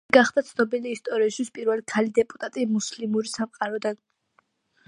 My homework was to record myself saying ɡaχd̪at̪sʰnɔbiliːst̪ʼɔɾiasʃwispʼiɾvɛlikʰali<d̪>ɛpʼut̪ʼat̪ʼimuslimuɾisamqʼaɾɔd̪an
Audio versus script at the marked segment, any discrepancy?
no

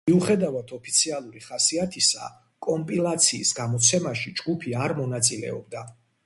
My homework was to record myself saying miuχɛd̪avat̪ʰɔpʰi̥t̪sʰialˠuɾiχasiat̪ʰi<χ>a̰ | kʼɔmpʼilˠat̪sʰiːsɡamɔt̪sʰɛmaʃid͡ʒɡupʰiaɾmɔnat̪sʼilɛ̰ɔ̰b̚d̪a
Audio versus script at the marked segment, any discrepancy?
yes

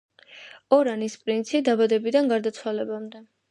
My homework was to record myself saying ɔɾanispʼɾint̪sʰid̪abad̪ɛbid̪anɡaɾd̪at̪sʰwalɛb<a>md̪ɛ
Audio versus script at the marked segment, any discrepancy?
no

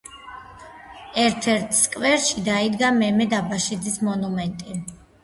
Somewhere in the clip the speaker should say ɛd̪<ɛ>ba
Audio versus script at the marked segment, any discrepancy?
yes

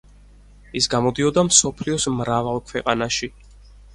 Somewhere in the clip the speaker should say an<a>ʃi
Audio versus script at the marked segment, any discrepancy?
no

